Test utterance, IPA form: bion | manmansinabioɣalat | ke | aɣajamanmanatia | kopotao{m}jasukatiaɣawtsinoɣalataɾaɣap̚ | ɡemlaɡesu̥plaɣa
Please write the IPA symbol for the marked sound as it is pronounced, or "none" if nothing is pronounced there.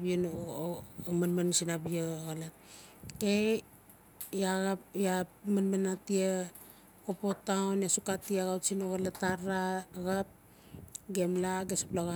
n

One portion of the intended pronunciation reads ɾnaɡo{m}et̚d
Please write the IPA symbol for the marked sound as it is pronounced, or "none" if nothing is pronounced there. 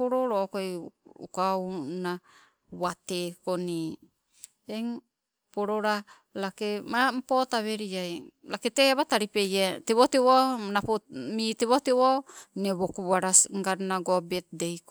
b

